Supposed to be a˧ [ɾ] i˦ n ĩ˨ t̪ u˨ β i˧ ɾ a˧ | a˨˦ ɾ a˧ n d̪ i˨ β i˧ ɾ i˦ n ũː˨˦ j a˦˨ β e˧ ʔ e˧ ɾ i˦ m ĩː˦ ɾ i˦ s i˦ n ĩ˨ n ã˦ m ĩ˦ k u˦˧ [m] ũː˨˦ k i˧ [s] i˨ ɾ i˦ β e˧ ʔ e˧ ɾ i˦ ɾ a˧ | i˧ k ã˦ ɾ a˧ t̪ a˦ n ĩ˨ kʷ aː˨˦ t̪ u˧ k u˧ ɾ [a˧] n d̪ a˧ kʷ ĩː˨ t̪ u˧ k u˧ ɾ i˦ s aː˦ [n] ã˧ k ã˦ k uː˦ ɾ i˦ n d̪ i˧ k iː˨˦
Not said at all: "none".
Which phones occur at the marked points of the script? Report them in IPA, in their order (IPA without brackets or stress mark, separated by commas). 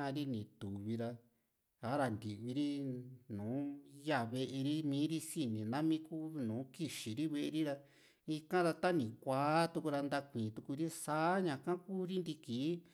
ɾ, n, ʃ, a˧, ɲ